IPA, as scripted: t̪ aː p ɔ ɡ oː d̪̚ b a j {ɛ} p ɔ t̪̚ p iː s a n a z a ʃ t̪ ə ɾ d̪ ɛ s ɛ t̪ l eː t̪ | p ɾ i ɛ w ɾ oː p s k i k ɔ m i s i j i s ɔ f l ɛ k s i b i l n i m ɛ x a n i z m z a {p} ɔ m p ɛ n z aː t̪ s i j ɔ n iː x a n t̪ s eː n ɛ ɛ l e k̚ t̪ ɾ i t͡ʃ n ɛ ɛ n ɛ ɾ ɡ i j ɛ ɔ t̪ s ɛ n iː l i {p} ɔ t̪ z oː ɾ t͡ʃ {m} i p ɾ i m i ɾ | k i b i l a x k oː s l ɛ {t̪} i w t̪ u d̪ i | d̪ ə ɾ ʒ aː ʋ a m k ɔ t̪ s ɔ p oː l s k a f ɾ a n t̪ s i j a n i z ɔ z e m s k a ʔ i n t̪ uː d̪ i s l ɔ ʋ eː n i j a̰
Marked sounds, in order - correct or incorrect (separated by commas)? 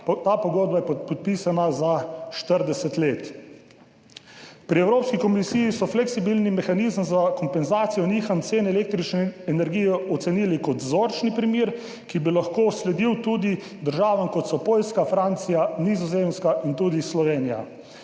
correct, incorrect, incorrect, incorrect, incorrect